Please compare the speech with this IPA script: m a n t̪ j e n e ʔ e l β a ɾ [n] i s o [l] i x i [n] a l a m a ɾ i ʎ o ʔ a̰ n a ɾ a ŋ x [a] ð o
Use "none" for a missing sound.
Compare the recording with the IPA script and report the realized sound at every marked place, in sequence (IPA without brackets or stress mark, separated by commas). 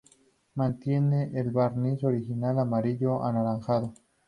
n, ɾ, n, a